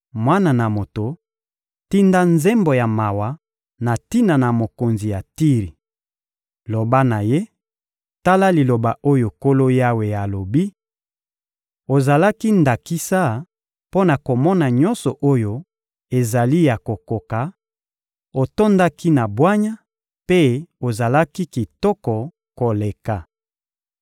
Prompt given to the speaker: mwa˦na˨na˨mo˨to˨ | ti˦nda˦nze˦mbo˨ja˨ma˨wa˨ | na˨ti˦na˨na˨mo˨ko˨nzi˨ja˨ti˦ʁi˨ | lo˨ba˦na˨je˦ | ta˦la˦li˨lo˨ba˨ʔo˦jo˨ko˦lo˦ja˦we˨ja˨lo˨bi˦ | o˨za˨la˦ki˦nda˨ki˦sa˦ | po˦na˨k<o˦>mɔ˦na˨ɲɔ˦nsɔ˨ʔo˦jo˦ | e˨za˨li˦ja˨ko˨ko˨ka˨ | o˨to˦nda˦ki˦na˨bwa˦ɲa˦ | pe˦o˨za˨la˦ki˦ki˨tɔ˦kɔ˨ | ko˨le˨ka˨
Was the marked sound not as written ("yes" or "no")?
yes